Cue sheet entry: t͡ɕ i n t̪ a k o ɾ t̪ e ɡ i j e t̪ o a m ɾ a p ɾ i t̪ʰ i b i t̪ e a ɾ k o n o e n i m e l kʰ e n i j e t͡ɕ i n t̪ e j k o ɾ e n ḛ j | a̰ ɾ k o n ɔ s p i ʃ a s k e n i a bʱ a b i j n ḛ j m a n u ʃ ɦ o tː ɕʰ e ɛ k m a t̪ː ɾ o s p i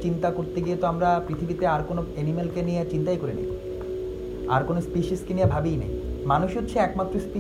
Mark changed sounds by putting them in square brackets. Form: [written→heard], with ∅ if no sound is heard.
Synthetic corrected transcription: t͡ɕ i n t̪ a k o ɾ t̪ e ɡ i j e t̪ o a m ɾ a p ɾ i t̪ʰ i b i t̪ e a ɾ k o n o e n i m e l [kʰ→k] e n i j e t͡ɕ i n t̪ [e→a] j k o ɾ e n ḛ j | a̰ ɾ k o n [ɔ→o] s p i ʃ [a→i] s k e n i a bʱ a b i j n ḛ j m a n u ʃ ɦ o tː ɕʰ e ɛ k m a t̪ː ɾ o s p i